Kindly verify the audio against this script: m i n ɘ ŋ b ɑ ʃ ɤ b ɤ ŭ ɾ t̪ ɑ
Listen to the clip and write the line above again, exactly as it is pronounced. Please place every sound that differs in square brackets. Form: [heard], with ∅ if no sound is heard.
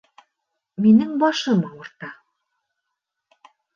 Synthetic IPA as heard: m i n ɘ ŋ b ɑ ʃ ɤ [m] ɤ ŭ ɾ t̪ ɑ

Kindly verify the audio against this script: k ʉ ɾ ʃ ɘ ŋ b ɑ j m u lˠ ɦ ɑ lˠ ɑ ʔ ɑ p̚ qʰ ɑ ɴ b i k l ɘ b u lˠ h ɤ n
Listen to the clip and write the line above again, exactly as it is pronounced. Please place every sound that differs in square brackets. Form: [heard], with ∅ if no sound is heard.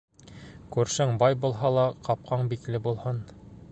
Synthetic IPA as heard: k ʉ ɾ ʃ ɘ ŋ b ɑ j [b] u lˠ ɦ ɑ lˠ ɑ [q] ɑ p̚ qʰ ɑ ɴ b i k l ɘ b u lˠ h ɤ n

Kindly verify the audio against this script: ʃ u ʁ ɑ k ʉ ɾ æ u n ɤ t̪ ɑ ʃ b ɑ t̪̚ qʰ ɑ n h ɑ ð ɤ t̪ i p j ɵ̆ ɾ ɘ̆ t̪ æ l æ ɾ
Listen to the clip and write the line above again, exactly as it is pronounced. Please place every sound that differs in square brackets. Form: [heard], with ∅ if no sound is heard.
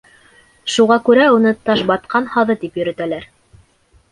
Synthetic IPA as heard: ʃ u ʁ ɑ k ʉ ɾ æ u n ɤ t̪ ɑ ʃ b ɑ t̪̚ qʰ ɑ n h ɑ ð ɤ t̪ i p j ɵ̆ ɾ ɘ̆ t̪ æ l æ ɾ

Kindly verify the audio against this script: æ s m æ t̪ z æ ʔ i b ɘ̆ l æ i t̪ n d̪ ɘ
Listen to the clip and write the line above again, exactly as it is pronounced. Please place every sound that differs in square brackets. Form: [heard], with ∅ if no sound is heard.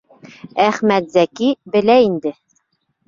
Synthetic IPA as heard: æ [χ] m æ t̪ z æ [k] i b ɘ̆ l æ i [∅] n d̪ ɘ

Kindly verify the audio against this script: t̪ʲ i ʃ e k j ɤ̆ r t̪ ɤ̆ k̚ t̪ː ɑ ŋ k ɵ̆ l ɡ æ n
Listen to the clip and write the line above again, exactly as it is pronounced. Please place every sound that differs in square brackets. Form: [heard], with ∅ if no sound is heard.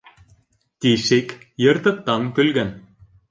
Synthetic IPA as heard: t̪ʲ i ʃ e k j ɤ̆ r t̪ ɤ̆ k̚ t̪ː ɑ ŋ k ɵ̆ l ɡ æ n

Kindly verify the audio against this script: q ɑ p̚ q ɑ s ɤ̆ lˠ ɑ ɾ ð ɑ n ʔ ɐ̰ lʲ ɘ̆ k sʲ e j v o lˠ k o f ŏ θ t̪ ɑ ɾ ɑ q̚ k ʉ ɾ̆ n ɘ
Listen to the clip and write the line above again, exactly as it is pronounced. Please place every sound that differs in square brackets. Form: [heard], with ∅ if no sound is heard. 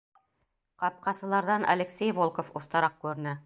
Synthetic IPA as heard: q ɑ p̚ q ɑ s ɤ̆ lˠ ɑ ɾ ð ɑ n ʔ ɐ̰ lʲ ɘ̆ k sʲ e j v o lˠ k o f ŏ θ t̪ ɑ ɾ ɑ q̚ k ʉ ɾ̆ n ɘ

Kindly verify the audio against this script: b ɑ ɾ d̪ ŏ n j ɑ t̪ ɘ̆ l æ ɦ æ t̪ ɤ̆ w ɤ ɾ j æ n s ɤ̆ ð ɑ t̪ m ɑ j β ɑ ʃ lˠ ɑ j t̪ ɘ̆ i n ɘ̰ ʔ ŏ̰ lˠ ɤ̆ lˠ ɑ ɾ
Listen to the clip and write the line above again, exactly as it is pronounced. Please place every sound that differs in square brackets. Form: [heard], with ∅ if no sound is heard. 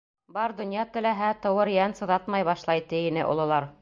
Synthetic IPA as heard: b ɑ ɾ d̪ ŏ n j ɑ t̪ ɘ̆ l æ ɦ æ t̪ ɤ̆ w ɤ ɾ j æ n s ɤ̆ ð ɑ t̪ m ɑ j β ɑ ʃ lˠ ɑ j t̪ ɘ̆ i n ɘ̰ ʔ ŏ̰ lˠ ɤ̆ lˠ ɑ ɾ

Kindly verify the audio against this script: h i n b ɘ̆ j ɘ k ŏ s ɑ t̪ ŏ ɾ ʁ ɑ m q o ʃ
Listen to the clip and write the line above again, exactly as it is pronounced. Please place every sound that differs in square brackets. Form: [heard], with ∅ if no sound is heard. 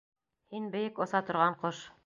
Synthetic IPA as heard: h i n b ɘ̆ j ɘ k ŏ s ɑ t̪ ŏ ɾ ʁ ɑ [ɴ] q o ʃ

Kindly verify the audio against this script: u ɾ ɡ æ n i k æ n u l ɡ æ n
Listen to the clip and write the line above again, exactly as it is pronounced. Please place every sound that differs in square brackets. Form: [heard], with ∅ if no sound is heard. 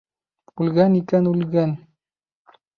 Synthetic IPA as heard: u [l] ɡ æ n i k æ n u l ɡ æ n

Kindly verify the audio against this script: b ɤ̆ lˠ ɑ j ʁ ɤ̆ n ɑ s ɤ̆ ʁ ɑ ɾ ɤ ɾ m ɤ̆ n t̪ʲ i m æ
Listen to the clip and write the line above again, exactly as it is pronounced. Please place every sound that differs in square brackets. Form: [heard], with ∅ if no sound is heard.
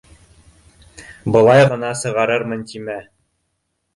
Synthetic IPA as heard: b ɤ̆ lˠ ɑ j ʁ ɤ̆ n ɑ s ɤ̆ ʁ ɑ ɾ ɤ ɾ m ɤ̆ n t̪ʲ i m æ

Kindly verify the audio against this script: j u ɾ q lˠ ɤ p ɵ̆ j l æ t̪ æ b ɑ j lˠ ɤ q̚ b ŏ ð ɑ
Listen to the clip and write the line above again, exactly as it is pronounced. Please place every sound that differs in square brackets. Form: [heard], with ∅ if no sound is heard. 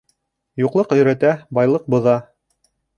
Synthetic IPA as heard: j u [∅] q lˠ ɤ [q] ɵ̆ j [ɾ] æ t̪ æ b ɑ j lˠ ɤ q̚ b ŏ ð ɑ

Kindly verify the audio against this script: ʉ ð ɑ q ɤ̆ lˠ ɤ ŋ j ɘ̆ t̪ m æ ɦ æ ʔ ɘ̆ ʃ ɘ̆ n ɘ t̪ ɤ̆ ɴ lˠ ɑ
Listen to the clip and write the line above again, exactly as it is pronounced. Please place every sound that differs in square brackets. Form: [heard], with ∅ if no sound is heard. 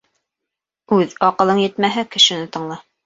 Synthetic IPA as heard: ʉ ð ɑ q ɤ̆ lˠ ɤ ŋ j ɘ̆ t̪ m æ ɦ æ [k] ɘ̆ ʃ ɘ̆ n ɘ t̪ ɤ̆ ɴ lˠ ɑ

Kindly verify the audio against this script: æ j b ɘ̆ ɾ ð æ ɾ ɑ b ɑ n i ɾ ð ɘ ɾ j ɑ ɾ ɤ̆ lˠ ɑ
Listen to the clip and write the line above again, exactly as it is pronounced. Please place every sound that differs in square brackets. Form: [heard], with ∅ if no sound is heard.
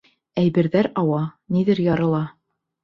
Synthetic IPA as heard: æ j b ɘ̆ ɾ ð æ ɾ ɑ [w] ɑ n i [∅] ð ɘ ɾ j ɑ ɾ ɤ̆ lˠ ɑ

